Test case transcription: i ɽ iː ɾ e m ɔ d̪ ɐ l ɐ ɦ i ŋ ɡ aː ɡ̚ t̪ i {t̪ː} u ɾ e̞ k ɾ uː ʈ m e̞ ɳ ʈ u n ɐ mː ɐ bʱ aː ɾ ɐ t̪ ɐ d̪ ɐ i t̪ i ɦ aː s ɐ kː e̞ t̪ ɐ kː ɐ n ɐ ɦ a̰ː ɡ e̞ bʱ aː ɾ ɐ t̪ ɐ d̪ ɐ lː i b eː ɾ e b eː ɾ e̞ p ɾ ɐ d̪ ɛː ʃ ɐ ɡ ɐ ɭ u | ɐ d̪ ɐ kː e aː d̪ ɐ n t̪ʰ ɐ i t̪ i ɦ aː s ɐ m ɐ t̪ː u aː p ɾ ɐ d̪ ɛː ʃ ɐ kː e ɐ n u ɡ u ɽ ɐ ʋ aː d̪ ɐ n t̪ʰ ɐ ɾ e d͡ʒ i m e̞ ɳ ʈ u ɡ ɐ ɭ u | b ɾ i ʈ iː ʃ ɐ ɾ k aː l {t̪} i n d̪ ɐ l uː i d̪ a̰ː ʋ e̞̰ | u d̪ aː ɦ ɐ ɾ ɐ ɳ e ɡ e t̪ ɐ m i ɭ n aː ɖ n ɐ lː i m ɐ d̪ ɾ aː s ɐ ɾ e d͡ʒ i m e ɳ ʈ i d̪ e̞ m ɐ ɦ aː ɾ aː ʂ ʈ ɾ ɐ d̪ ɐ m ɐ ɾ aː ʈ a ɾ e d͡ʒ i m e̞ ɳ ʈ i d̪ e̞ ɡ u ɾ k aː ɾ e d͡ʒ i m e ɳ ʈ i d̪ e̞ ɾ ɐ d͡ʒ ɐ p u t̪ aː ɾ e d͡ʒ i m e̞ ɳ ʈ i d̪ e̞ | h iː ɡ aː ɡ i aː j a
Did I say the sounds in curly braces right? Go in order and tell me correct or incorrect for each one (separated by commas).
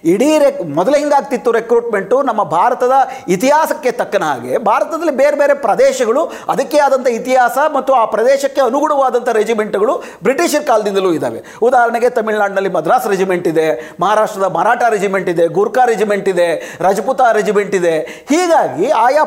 correct, incorrect